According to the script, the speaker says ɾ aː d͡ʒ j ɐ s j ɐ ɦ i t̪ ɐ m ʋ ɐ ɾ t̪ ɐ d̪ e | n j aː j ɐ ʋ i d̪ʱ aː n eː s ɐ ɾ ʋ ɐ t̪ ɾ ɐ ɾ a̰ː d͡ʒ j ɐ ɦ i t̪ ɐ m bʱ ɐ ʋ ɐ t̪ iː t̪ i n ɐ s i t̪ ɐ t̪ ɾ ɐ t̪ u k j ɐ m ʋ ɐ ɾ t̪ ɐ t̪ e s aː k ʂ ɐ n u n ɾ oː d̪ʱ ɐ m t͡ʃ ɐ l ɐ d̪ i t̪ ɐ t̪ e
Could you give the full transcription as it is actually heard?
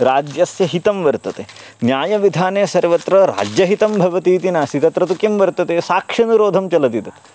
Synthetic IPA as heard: ɾ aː d͡ʒ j ɐ s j ɐ ɦ i t̪ ɐ m ʋ ɐ ɾ t̪ ɐ t̪ e | n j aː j ɐ ʋ i d̪ʱ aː n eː s ɐ ɾ ʋ ɐ t̪ ɾ ɐ ɾ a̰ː d͡ʒ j ɐ ɦ i t̪ ɐ m bʱ ɐ ʋ ɐ t̪ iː t̪ i n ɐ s i t̪ ɐ t̪ ɾ ɐ t̪ u k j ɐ m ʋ ɐ ɾ t̪ ɐ t̪ e s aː k ʂ ɐ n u ɾ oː d̪ʱ ɐ m t͡ʃ ɐ l ɐ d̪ i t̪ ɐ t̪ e